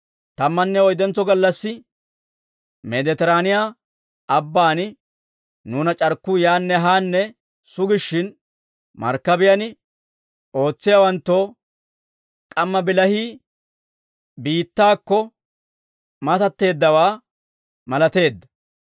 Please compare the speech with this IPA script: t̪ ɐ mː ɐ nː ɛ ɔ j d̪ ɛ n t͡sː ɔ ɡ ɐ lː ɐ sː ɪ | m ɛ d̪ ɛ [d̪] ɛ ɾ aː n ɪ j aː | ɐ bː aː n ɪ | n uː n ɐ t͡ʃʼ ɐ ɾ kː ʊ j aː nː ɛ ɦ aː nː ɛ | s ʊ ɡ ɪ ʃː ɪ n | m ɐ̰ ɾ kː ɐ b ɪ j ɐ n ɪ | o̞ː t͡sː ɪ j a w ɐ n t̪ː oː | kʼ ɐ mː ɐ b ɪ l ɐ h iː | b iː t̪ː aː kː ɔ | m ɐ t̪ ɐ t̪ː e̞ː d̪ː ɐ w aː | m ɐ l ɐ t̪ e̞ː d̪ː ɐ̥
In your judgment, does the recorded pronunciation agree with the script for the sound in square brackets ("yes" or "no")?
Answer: no